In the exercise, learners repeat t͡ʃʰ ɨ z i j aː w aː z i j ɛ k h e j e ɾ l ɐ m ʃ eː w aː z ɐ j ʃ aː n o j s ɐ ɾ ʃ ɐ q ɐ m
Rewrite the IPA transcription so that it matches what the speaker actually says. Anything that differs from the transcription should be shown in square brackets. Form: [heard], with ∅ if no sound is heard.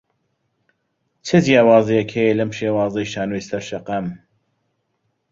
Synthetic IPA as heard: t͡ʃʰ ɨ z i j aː w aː z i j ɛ k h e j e [∅] l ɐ m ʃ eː w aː z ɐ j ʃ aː n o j s ɐ ɾ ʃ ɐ q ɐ m